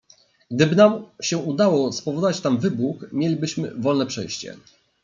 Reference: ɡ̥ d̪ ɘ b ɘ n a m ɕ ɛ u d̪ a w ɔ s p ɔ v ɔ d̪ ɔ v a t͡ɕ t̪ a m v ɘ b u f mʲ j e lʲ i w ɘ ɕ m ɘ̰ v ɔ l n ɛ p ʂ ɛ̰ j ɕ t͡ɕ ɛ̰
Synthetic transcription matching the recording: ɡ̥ d̪ ɘ b ɘ n a m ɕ ɛ u d̪ a w ɔ s p ɔ v ɔ d̪ ɔ v a t͡ɕ t̪ a m v ɘ b u x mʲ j e lʲ i b ɘ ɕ m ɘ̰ v ɔ l n ɛ p ʂ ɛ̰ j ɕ t͡ɕ ɛ̰